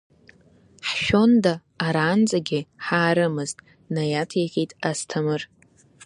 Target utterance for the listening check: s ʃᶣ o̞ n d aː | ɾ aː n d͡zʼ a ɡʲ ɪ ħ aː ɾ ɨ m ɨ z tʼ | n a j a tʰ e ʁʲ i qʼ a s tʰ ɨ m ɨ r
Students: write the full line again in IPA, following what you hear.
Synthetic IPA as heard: ħ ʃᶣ o̞ n d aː | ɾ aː n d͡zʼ a ɡʲ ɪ ħ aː ɾ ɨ m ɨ z tʼ | n a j a tʰ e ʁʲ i tʼ a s tʰ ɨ m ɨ r